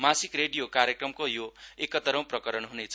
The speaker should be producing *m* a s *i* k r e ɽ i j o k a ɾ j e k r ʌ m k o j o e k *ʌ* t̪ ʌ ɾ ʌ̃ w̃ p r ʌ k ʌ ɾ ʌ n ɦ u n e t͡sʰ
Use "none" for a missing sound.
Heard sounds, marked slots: m, i, ʌ

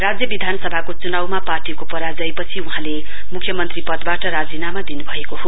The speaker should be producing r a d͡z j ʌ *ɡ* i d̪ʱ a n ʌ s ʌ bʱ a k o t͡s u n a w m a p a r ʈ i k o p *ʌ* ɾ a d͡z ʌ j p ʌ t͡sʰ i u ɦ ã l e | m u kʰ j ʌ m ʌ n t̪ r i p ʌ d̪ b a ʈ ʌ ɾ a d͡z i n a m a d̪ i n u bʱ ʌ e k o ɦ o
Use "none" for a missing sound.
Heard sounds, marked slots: b, ʌ

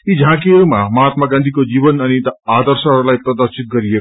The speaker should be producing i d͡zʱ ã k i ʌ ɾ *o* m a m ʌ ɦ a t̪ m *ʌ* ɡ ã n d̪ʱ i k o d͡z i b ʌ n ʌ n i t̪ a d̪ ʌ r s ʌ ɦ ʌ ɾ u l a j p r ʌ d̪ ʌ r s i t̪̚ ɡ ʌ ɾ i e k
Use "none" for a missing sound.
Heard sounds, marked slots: u, a

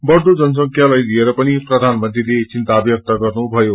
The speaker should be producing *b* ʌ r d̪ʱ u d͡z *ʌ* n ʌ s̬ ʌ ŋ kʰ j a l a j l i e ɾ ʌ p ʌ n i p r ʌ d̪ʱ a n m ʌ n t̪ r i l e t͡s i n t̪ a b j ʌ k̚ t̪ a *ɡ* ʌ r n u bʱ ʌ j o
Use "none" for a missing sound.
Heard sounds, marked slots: b, ʌ, ɡ

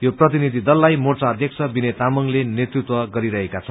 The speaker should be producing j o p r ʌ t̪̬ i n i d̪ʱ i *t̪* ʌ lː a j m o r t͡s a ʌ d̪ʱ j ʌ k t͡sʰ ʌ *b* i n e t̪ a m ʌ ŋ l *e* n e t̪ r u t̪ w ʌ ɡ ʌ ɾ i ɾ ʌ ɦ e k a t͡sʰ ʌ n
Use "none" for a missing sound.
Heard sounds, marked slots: d̪, b, e

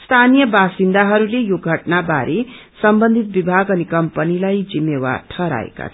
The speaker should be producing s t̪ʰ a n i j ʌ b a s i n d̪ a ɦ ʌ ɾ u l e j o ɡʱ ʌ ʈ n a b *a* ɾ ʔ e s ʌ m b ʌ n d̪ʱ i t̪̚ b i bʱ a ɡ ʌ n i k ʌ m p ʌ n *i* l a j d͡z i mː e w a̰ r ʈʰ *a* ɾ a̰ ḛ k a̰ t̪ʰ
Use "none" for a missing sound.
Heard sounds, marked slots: a, i, ʌ

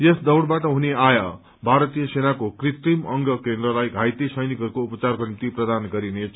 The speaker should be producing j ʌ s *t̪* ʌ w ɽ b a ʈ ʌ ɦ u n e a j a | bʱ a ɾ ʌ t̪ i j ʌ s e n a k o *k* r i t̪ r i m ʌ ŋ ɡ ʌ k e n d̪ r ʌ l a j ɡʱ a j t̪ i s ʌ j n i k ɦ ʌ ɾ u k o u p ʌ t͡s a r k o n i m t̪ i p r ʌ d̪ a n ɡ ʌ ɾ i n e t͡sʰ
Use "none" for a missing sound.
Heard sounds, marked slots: d̪, k

